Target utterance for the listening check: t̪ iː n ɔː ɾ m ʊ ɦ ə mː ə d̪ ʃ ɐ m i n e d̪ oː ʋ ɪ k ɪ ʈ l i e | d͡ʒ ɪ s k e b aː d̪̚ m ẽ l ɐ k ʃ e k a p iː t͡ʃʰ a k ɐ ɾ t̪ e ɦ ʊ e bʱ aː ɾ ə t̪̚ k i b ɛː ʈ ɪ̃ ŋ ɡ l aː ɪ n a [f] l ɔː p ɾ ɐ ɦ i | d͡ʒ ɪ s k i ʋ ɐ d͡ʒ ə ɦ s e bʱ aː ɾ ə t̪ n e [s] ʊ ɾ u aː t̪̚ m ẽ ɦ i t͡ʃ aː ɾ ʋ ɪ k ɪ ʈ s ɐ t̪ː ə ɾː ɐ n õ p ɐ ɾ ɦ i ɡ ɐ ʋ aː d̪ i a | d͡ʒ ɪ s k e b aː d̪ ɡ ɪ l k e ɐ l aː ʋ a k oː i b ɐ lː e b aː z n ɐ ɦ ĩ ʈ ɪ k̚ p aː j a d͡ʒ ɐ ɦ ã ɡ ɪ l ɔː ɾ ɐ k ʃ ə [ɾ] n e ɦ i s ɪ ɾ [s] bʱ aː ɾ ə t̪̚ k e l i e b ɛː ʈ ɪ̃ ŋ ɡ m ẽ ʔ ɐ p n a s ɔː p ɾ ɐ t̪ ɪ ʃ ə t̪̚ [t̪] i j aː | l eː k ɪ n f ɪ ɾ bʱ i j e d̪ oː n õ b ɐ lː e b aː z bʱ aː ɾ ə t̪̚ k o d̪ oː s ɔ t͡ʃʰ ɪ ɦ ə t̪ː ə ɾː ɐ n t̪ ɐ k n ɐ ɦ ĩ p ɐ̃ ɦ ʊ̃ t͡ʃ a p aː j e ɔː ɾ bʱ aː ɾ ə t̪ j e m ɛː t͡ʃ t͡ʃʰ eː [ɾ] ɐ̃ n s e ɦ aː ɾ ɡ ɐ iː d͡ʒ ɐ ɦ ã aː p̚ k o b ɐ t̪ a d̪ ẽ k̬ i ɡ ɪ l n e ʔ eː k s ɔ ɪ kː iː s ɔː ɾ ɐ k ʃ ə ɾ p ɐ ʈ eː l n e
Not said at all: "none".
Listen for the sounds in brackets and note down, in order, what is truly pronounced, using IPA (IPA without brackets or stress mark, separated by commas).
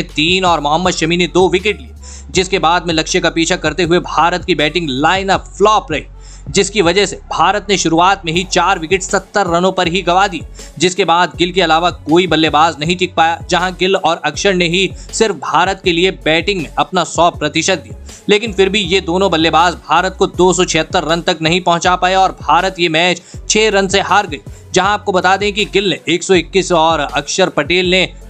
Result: f, ʃ, ɾ, f, d̪, ɾ